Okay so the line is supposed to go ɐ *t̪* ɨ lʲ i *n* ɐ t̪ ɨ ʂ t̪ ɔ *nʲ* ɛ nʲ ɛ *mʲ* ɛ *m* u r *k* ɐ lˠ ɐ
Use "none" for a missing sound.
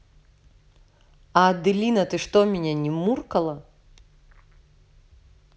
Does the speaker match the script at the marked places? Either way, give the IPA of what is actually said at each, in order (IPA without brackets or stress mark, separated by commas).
d̪, n, mʲ, nʲ, m, k